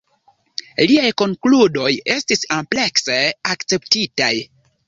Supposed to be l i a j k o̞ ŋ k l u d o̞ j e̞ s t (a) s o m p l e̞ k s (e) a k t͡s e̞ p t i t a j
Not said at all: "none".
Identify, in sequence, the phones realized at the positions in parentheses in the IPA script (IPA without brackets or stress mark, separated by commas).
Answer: i, e